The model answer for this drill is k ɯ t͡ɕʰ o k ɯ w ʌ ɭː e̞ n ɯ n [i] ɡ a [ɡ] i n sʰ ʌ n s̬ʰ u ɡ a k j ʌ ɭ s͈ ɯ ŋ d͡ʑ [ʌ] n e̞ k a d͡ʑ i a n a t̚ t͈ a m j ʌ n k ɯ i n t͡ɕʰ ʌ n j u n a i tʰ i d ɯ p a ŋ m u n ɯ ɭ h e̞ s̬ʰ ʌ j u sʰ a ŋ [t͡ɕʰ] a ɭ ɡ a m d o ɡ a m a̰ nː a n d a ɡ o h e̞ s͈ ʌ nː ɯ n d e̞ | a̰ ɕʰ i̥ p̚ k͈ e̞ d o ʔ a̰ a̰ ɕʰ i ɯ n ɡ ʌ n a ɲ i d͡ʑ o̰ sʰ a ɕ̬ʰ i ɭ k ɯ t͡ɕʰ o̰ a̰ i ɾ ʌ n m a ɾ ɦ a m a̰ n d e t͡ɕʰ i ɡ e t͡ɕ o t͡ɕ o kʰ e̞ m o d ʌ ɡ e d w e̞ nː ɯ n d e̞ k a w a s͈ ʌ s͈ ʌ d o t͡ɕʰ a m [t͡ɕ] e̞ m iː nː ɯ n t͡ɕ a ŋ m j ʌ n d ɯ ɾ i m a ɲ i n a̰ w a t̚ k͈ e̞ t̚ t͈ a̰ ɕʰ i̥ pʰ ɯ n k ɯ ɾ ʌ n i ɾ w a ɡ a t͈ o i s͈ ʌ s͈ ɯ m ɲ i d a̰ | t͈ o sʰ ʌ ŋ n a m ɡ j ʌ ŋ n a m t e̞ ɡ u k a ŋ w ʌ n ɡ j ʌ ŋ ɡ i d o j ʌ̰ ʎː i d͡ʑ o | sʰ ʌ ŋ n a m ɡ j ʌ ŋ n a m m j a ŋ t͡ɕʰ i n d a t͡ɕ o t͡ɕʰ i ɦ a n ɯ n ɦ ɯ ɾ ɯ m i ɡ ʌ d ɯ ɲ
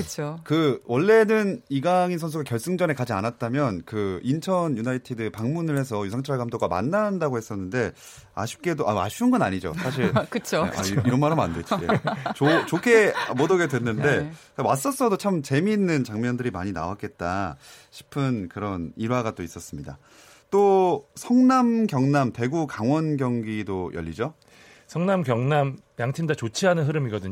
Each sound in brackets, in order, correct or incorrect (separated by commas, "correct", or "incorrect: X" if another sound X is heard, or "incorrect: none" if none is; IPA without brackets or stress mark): correct, incorrect: ŋ, correct, correct, correct